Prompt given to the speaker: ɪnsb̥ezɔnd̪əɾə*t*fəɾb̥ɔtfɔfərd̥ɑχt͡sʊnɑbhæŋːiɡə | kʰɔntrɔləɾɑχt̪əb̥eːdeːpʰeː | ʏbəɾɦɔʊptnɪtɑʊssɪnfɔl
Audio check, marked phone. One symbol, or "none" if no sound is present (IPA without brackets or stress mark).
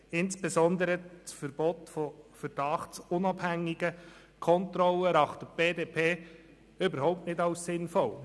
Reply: t͡s